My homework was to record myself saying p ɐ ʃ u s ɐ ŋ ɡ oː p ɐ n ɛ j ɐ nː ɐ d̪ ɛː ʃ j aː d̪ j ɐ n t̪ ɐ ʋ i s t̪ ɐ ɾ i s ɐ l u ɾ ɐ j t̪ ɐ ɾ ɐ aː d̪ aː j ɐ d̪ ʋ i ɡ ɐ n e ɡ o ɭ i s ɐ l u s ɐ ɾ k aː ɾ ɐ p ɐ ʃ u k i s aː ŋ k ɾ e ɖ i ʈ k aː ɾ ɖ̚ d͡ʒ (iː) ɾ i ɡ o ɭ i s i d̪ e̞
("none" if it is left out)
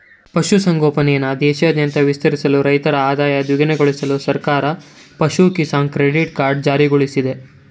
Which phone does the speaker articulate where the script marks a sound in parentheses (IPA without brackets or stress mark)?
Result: aː